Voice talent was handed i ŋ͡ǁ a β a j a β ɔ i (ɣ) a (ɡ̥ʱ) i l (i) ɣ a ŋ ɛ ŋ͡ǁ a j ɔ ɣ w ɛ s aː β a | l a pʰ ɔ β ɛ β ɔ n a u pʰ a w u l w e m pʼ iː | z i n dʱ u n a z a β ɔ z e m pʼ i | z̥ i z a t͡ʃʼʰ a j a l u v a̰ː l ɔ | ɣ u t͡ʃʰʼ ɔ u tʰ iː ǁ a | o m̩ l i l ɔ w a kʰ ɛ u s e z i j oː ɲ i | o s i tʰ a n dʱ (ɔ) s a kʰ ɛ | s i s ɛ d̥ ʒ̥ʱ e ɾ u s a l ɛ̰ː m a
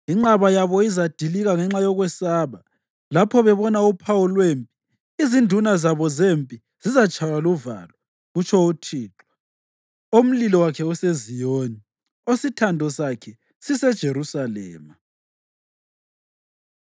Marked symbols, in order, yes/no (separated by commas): no, no, yes, yes